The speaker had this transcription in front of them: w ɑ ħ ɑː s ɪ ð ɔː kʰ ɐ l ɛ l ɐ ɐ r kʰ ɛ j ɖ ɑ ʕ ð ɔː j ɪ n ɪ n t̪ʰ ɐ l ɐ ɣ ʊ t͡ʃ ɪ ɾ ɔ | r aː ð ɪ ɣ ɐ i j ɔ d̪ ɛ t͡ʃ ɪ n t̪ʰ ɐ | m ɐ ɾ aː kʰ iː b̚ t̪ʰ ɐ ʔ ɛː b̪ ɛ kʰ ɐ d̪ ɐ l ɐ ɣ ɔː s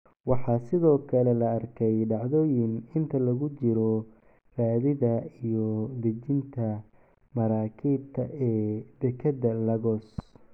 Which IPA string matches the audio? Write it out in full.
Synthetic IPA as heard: w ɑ ħ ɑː s ɪ ð ɔː kʰ ɐ l ɛ l ɐ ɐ r kʰ ɛ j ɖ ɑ ʕ ð ɔː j ɪ n ɪ n t̪ʰ ɐ l ɐ ɣ ʊ t͡ʃ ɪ ɾ ɔ | r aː ð ɪ ð ɐ i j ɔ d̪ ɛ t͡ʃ ɪ n t̪ʰ ɐ | m ɐ ɾ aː kʰ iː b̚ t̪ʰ ɐ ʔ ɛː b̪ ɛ kʰ ɐ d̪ ɐ l ɐ ɣ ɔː s

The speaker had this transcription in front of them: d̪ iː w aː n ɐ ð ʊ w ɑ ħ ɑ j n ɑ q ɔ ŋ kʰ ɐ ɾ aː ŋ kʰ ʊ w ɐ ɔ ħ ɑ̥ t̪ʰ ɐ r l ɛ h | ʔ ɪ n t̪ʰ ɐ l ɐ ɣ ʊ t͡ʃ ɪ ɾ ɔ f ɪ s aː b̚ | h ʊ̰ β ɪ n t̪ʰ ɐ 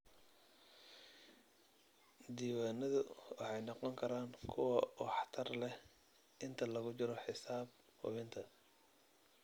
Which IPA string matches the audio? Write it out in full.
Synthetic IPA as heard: d̪ iː w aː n ɐ ð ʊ w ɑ ħ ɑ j n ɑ q ɔ ŋ kʰ ɐ ɾ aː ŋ kʰ ʊ w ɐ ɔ ħ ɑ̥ t̪ʰ ɐ r l ɛ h | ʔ ɪ n t̪ʰ ɐ l ɐ ɣ ʊ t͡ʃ ɪ ɾ ɔ ħ ɪ s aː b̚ | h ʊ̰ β ɪ n t̪ʰ ɐ

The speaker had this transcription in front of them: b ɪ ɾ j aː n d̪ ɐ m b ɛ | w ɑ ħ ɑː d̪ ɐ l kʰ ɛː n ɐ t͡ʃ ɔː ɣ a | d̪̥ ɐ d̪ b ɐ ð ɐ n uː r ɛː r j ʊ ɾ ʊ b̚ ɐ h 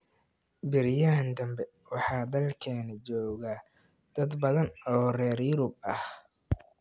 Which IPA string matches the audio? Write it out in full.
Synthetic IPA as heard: b ɪ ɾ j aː n d̪ ɐ m b ɛ | w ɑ ħ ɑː d̪ ɐ l kʰ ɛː n ɐ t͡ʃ ɔː ɣ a | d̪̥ ɐ d̪ b ɐ ð ɐ n ɔː r ɛː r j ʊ ɾ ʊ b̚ ɐ h

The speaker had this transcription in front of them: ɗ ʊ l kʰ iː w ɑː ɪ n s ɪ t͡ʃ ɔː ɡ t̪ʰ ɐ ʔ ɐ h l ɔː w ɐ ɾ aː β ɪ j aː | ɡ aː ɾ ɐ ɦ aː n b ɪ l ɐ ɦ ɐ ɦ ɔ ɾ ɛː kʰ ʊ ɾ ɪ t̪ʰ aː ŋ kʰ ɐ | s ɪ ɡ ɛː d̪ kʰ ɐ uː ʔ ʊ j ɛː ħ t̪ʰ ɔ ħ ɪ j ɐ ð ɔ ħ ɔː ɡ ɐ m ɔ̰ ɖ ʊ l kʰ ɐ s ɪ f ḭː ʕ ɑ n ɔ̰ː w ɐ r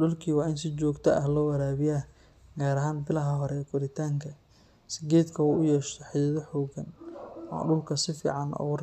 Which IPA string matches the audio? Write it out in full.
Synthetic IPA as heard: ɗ ʊ l kʰ iː w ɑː ɪ n s ɪ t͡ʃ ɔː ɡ t̪ʰ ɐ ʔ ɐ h l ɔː w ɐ ɾ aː β ɪ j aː | ɡ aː ɾ ɐ ɦ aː n b ɪ l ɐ ɦ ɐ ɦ ɔ ɾ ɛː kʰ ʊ ɾ ɪ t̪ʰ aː ŋ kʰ ɐ | s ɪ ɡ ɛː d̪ kʰ ɐ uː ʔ ʊ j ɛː ʃ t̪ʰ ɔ ħ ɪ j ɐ ð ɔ ħ ɔː ɡ ɐ n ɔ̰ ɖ ʊ l kʰ ɐ s ɪ f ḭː ʕ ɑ n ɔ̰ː w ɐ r

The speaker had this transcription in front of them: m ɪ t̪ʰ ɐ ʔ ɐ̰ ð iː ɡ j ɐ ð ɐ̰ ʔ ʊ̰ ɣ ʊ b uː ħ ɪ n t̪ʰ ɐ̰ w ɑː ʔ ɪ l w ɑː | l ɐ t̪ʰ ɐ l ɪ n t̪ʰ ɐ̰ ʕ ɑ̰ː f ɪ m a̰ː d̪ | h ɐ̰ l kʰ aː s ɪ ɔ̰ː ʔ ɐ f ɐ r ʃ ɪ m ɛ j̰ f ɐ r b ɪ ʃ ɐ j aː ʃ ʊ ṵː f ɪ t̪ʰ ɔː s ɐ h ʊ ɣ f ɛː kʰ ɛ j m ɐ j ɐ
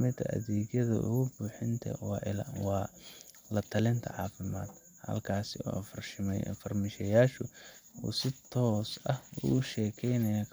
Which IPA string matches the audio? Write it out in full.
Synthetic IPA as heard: m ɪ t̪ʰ ɐ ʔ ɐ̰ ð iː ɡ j ɐ ð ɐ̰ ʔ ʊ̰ ɣ ʊ b uː ħ ɪ n t̪ʰ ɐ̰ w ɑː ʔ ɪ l w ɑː | l ɐ t̪ʰ ɐ l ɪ n t̪ʰ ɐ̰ ʕ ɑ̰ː f ɪ m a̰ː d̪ | h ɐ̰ l kʰ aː s ɪ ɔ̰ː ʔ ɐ f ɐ r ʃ ɪ m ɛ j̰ f ɐ r m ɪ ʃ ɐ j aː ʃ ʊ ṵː s ɪ t̪ʰ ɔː s ɐ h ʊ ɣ ʃ ɛː kʰ ɛ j n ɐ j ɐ

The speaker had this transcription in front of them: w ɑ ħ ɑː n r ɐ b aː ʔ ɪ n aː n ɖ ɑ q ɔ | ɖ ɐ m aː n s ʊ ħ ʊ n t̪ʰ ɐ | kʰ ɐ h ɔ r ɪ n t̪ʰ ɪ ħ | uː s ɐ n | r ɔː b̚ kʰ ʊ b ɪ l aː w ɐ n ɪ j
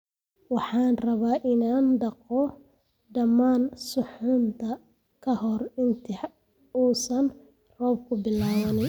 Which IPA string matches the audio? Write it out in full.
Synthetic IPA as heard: w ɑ ħ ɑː n r ɐ β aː ʔ ɪ n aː n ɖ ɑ q ɔ | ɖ ɐ m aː n s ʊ ħ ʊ n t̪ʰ ɐ | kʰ ɐ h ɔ r ɪ n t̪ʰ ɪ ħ | uː s ɐ n | r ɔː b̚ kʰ ʊ b ɪ l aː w ɐ n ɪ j

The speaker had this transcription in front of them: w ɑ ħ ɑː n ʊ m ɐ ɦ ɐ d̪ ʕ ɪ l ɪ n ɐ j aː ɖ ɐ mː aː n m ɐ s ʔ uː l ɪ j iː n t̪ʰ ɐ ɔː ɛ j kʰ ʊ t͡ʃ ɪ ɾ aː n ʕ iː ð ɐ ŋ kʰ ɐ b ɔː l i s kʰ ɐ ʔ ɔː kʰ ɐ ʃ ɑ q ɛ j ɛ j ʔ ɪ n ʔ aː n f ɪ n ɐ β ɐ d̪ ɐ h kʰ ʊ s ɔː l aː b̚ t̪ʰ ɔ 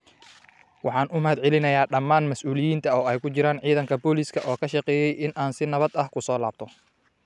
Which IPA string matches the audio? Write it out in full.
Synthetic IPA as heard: w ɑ ħ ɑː n ʊ m ɐ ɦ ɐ d̪ ʕ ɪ l ɪ n ɐ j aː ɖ ɐ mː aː n m ɐ s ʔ uː l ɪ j iː n t̪ʰ ɐ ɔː ɛ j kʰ ʊ t͡ʃ ɪ ɾ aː n ʕ iː ð ɐ ŋ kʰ ɐ b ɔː l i s kʰ ɐ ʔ ɔː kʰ ɐ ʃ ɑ q ɛː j ɛ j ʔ ɪ n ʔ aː n s ɪ n ɐ β ɐ d̪ ɐ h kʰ ʊ s ɔː l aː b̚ t̪ʰ ɔ

